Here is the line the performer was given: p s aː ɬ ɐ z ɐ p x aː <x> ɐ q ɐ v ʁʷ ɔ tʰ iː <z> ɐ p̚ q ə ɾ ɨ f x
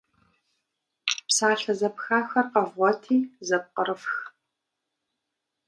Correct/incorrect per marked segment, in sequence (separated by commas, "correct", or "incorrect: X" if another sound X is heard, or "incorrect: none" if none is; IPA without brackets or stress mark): correct, correct